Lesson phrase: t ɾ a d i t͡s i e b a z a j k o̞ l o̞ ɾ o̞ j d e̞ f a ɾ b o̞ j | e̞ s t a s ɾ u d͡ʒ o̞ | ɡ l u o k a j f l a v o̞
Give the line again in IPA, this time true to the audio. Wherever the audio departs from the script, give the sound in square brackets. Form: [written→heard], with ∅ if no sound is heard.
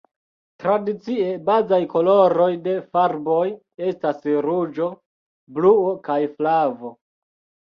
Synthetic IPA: t ɾ a d i t͡s i e b a z a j k o̞ l o̞ ɾ o̞ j d e̞ f a ɾ b o̞ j | e̞ s t a s ɾ u d͡ʒ o̞ | [ɡ→b] l u o k a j f l a v o̞